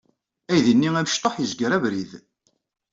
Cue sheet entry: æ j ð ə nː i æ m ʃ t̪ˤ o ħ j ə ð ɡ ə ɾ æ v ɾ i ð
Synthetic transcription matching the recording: æ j ð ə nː i æ m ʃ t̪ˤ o ħ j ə z ɡ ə ɾ æ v ɾ i ð